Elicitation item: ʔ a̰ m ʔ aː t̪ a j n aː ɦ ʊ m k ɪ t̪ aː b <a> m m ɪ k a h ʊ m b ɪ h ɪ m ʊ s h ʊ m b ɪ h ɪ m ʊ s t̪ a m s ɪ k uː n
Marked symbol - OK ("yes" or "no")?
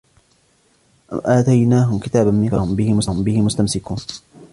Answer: yes